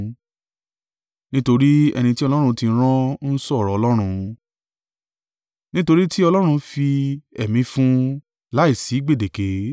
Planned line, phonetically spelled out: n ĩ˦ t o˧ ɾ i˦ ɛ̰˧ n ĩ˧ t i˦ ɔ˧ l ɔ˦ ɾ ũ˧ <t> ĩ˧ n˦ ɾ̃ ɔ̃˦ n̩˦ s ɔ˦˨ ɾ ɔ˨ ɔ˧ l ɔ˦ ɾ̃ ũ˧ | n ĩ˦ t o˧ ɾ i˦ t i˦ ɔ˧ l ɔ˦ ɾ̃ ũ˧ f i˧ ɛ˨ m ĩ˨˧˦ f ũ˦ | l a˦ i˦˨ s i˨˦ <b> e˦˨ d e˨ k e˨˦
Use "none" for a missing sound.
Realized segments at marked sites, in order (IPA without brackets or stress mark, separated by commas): t, ɡ͡b